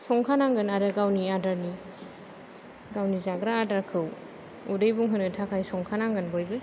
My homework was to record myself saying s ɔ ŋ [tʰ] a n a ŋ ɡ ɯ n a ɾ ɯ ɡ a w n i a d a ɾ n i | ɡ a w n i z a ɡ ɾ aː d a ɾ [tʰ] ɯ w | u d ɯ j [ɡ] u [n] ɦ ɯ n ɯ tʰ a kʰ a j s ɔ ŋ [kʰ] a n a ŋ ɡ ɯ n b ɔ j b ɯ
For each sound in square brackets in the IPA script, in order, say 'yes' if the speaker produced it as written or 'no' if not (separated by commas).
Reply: no, no, no, no, yes